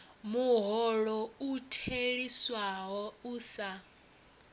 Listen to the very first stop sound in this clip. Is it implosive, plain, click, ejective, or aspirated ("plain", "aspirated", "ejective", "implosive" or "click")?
aspirated